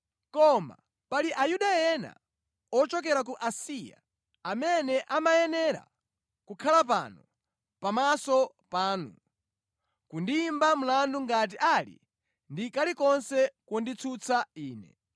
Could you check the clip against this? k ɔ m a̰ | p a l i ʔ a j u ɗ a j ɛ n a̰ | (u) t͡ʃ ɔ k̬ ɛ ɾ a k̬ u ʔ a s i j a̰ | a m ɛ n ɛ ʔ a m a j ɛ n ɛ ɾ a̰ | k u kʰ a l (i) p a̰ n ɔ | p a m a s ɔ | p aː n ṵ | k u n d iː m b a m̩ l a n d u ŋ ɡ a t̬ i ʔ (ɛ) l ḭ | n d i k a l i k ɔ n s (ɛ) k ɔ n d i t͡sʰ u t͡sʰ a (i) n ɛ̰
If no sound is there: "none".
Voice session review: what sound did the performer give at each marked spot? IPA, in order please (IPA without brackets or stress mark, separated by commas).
ɔ, a, a, ɛ, iː